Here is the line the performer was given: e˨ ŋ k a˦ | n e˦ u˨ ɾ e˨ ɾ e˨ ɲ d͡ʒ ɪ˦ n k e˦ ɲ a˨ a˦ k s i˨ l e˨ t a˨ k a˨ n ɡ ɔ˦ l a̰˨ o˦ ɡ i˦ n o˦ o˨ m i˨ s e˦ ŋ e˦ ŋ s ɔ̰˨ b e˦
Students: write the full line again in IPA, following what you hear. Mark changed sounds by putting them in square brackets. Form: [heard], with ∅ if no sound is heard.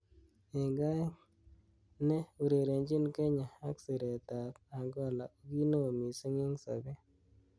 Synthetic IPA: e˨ ŋ [ɡ] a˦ | n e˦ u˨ ɾ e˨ ɾ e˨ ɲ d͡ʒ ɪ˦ n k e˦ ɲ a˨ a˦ k s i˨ [ɾ] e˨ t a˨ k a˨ [ŋ] ɡ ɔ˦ l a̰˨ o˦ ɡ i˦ n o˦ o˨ m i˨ s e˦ ŋ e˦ ŋ s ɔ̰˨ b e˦